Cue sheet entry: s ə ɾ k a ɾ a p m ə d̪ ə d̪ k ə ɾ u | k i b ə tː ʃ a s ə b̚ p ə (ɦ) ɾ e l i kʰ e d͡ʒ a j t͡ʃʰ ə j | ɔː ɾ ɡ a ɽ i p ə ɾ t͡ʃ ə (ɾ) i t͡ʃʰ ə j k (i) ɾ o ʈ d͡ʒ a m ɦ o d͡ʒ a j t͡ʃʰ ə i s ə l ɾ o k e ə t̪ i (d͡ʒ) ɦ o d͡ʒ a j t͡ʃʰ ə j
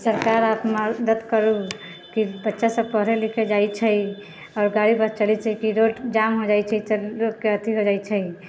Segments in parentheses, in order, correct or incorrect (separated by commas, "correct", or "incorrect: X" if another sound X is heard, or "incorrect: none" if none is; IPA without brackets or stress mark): correct, incorrect: l, correct, incorrect: none